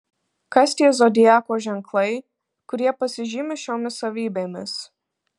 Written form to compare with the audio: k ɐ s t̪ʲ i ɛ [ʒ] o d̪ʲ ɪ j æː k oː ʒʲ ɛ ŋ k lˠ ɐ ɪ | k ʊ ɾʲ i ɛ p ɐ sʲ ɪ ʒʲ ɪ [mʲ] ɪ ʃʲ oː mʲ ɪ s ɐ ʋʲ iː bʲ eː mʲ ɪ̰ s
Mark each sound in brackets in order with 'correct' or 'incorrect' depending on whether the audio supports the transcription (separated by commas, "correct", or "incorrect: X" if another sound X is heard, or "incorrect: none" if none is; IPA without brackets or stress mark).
incorrect: z, correct